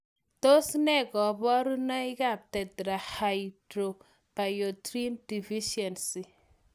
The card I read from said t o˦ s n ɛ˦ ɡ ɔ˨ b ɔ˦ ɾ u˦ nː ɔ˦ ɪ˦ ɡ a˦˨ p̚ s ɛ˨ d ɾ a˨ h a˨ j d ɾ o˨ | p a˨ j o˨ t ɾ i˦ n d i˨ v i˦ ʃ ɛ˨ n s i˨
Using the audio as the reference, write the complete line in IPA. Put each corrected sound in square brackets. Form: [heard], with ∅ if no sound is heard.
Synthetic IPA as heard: t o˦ s n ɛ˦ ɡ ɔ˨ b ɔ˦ ɾ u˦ [n] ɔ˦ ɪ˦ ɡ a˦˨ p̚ [t] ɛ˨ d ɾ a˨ h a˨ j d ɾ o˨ | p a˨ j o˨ t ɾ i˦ n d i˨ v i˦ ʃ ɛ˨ n s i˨

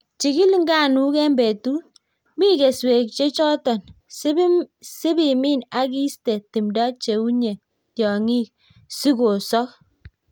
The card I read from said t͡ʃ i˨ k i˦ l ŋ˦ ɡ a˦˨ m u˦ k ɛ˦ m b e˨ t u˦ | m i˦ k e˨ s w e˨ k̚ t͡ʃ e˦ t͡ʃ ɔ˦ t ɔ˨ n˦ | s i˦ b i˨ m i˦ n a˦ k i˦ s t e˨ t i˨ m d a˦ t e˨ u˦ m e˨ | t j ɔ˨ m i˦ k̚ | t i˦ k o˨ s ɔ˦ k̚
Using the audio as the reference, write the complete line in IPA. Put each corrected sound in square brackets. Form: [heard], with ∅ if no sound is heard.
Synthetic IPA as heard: t͡ʃ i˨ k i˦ l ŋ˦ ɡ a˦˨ [n] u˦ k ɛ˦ m b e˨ t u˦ | m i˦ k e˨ s w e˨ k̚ t͡ʃ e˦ t͡ʃ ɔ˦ t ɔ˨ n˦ | s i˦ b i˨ m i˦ n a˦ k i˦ s t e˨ t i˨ m d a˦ [t͡ʃ] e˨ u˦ [ɲ] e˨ | t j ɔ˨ [ŋ] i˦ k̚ | [s] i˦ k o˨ s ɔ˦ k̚

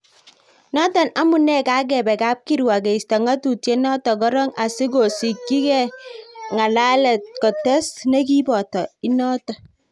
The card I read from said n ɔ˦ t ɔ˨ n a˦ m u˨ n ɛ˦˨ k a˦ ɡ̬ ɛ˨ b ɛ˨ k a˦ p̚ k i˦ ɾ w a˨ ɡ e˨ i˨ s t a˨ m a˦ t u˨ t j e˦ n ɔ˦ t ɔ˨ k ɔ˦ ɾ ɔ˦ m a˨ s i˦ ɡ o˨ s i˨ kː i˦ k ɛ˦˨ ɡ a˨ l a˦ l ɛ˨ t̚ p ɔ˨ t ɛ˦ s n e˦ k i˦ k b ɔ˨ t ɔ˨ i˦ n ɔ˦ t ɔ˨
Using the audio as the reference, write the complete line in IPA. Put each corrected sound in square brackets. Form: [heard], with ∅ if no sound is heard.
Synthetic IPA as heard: n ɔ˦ t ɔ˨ n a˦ m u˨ n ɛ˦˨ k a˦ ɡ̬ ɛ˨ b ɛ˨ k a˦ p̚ k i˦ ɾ w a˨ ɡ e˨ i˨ s t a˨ [ŋ] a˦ t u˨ t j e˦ n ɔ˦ t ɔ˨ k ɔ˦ ɾ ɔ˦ [ŋ] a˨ s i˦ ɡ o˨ s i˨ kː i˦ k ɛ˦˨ [ŋ] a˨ l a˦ l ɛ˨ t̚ [k] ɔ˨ t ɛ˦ s n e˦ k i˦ [∅] b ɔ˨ t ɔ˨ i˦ n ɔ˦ t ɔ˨

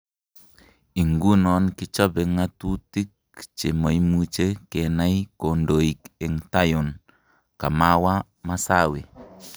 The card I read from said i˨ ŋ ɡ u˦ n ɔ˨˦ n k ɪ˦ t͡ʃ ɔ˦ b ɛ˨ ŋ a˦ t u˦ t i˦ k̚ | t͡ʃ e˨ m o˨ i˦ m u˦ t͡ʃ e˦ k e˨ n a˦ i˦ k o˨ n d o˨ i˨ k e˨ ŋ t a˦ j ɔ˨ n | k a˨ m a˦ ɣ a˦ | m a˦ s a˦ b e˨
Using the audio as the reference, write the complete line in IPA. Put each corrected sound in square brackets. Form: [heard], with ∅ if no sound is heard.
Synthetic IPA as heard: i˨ ŋ ɡ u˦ n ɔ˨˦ n k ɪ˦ t͡ʃ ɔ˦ b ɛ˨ ŋ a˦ t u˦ t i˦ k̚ | t͡ʃ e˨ m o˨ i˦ m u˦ t͡ʃ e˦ k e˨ n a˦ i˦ k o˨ n d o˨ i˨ k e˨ ŋ t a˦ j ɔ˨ n | k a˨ m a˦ [w] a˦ | m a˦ s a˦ [w] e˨

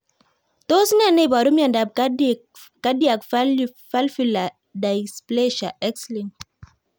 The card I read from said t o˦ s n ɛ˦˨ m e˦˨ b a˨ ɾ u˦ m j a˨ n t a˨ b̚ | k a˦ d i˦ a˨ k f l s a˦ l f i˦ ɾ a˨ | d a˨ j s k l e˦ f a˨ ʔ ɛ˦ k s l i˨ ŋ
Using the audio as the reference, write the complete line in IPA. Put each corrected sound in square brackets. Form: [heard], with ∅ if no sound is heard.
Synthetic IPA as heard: t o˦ s n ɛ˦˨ [n] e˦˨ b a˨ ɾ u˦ m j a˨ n [d] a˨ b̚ | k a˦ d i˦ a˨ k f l [f] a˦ l f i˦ [l] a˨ | d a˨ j s [p] l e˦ [ʃ] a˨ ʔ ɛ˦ k s l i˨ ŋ

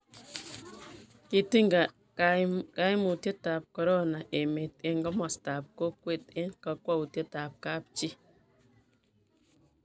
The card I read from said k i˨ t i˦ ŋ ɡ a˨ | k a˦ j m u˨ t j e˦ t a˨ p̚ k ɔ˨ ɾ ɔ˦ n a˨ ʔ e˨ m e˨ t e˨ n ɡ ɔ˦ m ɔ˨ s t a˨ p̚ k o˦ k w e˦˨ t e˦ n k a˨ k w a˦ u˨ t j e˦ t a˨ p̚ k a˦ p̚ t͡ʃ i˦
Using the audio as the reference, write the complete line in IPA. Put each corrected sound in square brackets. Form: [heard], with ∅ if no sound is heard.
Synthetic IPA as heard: k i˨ t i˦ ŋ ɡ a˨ | k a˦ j m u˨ t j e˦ t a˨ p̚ k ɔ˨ ɾ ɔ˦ n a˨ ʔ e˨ m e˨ t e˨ [ŋ] ɡ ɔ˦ m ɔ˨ s t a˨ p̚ k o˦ k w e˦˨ t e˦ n k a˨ k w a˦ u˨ t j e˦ t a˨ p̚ k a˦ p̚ t͡ʃ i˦

